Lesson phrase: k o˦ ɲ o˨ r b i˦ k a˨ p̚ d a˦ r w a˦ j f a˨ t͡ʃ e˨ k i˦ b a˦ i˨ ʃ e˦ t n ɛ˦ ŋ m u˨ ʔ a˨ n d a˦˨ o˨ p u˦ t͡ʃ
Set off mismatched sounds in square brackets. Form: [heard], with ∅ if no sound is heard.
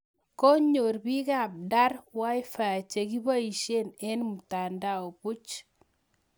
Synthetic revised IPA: k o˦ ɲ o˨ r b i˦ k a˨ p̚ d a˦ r w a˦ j f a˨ t͡ʃ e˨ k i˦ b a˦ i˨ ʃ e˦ [∅] n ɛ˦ [n] m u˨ [t] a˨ n d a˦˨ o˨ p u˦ t͡ʃ